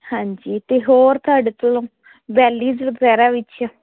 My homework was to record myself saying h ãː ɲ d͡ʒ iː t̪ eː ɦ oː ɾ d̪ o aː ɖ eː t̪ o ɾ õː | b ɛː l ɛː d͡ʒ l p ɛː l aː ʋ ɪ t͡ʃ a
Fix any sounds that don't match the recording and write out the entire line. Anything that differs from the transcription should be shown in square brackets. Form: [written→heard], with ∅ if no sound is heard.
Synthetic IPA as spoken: h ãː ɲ d͡ʒ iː t̪ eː ɦ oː ɾ [d̪→t̪] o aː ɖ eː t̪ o [ɾ→l] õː | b ɛː l [ɛː→iː] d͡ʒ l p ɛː [l→ɾ] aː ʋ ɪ t͡ʃ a